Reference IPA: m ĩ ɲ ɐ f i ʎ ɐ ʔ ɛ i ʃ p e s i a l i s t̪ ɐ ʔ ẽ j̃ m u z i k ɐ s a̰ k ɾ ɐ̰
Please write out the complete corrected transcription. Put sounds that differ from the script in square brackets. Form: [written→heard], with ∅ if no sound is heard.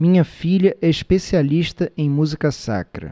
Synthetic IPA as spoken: m ĩ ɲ ɐ f i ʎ ɐ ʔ ɛ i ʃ p e s i a l i [s→ʃ] t̪ ɐ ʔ ẽ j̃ m u z i k ɐ s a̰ k ɾ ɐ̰